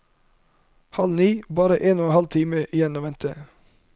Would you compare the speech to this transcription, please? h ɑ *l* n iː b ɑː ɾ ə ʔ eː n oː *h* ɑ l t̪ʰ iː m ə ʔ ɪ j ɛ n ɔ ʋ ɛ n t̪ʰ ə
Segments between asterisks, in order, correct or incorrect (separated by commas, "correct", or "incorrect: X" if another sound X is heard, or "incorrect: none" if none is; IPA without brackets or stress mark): correct, correct